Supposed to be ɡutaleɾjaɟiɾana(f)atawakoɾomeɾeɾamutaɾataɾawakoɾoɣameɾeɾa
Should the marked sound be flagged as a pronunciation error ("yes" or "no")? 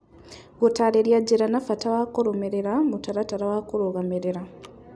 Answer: no